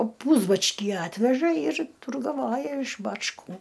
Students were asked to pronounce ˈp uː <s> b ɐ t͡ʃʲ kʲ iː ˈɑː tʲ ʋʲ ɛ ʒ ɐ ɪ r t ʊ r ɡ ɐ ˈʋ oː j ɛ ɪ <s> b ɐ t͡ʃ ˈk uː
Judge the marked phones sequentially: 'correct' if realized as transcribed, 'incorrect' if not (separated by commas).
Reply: incorrect, incorrect